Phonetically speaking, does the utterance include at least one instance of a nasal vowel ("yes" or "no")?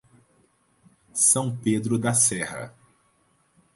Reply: yes